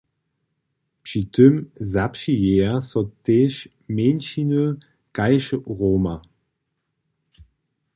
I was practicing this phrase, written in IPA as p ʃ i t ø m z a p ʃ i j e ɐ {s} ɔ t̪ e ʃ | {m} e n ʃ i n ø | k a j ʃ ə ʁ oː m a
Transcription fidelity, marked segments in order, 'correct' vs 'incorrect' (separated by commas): correct, correct